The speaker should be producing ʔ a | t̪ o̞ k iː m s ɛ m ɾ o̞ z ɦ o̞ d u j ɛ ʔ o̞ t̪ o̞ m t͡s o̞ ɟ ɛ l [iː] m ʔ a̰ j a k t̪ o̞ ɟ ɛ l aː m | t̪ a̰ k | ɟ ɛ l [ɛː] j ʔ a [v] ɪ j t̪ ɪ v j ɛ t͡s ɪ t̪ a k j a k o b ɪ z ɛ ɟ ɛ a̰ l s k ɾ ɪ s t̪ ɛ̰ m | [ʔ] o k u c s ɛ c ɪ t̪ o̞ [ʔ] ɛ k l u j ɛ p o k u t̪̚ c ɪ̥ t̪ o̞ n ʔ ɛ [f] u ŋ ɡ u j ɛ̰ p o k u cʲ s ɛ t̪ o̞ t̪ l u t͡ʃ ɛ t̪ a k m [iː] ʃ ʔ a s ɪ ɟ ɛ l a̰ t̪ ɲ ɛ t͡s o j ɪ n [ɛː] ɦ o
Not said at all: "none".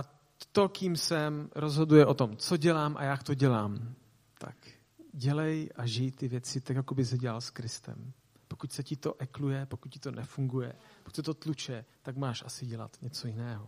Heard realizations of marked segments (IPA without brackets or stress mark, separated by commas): aː, ɛ, ʒ, p, ʔ, f, aː, ɛː